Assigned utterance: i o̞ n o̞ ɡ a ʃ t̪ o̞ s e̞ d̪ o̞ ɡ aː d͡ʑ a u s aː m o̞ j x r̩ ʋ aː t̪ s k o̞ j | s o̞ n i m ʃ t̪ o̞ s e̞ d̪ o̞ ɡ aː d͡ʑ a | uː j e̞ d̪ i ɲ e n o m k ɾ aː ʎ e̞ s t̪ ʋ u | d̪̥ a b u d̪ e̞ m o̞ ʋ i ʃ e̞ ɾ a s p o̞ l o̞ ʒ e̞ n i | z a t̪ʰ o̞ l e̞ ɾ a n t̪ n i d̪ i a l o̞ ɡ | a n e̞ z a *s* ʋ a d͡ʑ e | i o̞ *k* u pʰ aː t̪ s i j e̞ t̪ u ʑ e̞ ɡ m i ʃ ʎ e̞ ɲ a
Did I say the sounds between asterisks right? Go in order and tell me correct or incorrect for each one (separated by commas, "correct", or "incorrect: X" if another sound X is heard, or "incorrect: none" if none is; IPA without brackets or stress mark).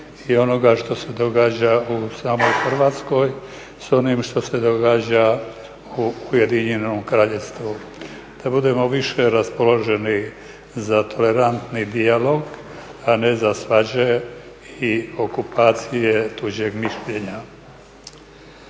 correct, correct